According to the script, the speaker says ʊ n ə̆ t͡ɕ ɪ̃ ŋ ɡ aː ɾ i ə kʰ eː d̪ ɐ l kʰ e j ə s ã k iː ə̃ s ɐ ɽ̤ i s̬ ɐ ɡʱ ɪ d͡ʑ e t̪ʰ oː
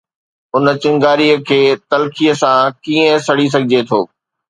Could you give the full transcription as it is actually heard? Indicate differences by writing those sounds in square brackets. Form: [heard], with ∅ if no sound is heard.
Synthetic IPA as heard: ʊ n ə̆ t͡ɕ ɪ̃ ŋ ɡ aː ɾ i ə kʰ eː [t̪] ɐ l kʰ [i] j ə s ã k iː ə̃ s ɐ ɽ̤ i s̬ ɐ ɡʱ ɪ d͡ʑ e t̪ʰ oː